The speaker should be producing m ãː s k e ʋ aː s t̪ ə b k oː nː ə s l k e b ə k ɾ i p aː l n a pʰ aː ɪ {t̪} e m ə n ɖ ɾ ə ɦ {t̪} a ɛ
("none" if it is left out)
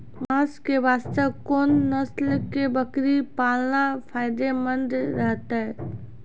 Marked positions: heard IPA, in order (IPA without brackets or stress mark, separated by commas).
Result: d̪, t̪